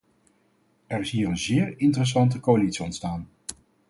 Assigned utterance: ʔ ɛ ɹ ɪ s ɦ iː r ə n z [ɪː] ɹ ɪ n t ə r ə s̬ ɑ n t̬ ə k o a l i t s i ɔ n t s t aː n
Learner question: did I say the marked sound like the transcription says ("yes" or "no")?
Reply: yes